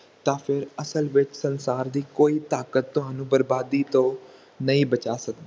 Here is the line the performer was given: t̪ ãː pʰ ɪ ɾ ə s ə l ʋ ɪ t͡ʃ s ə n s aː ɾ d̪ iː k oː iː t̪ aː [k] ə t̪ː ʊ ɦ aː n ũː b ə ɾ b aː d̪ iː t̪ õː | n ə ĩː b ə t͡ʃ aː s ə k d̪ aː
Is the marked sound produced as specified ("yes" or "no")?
yes